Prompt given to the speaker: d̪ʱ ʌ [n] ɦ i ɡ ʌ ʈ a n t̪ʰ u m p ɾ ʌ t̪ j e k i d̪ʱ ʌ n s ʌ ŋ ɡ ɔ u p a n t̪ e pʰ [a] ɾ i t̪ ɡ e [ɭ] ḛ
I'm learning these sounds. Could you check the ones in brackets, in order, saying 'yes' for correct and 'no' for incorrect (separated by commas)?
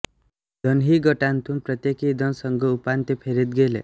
yes, no, no